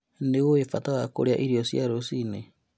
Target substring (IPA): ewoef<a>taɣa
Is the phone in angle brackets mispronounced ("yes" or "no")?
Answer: no